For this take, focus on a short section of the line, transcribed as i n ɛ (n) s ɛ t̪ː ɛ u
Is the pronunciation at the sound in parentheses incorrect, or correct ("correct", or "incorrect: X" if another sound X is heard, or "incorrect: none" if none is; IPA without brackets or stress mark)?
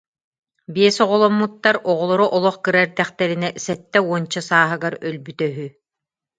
incorrect: none